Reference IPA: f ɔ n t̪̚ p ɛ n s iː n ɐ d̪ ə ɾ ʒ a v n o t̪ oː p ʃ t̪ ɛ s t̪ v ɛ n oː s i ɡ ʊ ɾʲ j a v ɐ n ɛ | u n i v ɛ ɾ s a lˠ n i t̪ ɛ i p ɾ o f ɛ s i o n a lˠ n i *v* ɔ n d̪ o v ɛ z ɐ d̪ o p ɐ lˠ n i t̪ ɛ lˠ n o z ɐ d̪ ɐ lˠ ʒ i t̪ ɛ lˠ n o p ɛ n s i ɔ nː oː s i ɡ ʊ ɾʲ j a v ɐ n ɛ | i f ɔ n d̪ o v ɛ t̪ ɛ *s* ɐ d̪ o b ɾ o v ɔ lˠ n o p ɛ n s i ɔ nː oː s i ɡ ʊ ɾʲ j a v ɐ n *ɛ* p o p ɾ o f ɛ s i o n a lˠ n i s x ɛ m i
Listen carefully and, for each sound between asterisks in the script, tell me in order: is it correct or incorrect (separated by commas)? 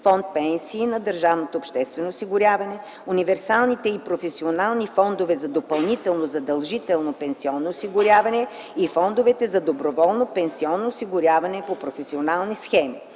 incorrect, incorrect, correct